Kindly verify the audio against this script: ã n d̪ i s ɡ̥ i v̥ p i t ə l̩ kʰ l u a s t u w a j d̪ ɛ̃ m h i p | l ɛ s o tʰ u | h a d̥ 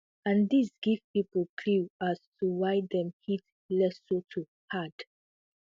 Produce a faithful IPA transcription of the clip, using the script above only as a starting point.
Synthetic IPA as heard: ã n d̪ i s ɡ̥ i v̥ p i p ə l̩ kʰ l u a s t u w a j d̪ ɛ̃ m h i t | l ɛ s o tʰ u | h a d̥